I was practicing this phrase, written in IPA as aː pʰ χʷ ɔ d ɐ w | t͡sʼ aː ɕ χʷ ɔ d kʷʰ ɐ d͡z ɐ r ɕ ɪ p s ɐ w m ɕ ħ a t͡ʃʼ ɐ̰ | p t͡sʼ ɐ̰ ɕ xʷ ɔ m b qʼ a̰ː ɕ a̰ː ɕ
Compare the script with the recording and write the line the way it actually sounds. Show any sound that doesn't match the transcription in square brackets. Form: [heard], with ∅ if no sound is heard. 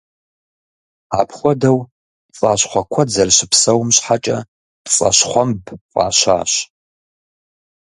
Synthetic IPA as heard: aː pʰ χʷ ɔ d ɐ w | t͡sʼ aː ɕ χʷ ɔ [∅] kʷʰ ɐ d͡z ɐ r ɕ ɪ p s ɐ w m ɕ ħ a t͡ʃʼ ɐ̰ | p t͡sʼ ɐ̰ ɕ [χʷ] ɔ m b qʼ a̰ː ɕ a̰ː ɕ